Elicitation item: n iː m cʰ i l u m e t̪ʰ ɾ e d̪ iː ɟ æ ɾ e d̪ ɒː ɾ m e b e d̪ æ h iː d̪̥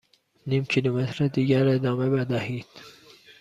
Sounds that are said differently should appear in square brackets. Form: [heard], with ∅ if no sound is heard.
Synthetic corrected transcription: n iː m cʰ i l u m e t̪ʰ ɾ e d̪ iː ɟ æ ɾ e d̪ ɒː [∅] m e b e d̪ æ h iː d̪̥